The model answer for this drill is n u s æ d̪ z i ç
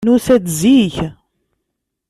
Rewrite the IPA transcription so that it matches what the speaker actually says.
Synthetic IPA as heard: n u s æ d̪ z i ç